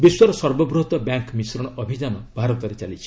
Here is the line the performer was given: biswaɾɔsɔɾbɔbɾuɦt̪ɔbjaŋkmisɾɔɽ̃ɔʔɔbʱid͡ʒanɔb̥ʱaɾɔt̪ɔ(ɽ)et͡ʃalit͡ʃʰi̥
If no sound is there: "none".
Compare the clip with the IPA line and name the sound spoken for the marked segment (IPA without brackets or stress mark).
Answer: ɾ